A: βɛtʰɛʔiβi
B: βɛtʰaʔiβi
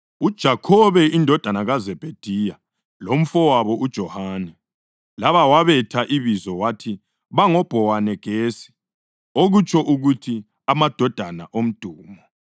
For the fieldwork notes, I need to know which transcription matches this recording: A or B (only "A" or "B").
B